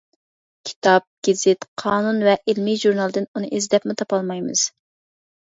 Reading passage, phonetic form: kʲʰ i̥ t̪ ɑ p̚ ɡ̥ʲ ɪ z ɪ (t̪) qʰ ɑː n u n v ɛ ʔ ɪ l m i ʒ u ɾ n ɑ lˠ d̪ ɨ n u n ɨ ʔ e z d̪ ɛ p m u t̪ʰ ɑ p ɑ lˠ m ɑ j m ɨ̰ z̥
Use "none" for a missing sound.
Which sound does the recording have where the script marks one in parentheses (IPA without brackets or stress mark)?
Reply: t̪